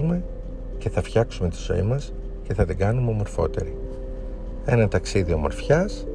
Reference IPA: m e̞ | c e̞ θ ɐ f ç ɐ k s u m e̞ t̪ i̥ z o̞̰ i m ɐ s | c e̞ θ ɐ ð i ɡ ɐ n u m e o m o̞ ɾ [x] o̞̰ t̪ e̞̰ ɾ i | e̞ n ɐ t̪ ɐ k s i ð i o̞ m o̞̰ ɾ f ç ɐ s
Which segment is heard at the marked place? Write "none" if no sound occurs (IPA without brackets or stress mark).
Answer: f